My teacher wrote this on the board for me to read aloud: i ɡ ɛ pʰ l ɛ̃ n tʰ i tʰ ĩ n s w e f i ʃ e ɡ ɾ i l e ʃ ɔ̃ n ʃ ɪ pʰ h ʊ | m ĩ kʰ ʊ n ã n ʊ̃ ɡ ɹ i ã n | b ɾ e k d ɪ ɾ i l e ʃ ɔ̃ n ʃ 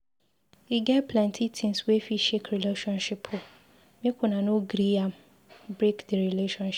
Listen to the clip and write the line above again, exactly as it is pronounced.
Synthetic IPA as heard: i ɡ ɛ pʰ l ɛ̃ n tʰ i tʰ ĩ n s w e f i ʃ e k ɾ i l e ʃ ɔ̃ n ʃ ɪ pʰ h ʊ | m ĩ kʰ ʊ n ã n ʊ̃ ɡ ɾ i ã m | b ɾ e k d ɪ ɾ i l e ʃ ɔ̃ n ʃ